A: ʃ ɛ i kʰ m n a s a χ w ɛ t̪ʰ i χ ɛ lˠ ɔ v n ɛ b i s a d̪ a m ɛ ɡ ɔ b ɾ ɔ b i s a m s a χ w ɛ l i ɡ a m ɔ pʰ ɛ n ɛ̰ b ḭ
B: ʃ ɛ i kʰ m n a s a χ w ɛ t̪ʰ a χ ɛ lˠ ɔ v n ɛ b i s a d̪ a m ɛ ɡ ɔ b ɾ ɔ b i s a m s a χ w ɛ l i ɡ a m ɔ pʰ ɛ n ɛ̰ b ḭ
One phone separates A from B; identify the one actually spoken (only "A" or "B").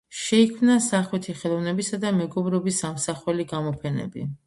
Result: A